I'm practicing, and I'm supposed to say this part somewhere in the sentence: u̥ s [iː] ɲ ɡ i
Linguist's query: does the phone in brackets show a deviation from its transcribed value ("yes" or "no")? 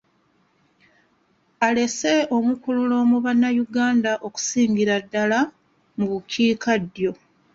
no